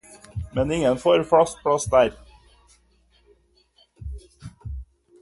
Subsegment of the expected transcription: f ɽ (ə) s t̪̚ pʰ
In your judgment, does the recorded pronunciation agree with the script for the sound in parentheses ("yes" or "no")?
no